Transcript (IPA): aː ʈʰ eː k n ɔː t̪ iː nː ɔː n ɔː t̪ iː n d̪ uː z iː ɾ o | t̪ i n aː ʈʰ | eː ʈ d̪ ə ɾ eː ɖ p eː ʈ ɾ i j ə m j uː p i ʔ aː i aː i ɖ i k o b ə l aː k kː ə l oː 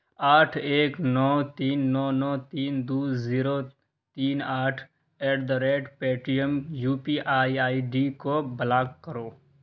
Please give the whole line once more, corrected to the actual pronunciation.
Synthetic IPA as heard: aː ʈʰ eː k n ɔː t̪ iː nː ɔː n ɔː t̪ iː n d̪ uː z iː ɾ o | t̪ iː n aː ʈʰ | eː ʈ d̪ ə ɾ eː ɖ p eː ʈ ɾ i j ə m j uː p i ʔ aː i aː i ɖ i k o b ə l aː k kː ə ɾ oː